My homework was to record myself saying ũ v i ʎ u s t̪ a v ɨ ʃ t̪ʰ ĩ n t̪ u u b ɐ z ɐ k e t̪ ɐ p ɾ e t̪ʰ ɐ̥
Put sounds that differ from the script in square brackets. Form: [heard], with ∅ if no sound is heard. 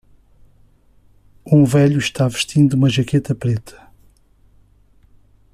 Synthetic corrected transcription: ũ v [ɛ] ʎ u [ʃ] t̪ a v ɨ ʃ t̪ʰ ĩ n [d̪] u u [m] ɐ [ʒ] ɐ k e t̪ ɐ p ɾ e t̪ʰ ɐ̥